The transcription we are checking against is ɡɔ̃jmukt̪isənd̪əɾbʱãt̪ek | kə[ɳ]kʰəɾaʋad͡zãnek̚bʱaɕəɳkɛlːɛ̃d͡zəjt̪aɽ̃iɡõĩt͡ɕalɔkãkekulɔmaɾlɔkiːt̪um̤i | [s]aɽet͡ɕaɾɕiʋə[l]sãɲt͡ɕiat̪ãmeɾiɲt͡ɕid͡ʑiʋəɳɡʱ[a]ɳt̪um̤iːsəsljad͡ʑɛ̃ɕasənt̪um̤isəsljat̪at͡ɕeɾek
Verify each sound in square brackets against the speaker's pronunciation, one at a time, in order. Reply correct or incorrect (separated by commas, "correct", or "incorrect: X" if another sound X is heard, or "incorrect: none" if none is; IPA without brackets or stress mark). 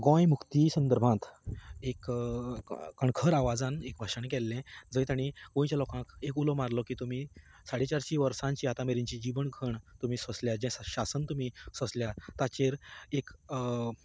correct, correct, incorrect: ɾ, incorrect: ə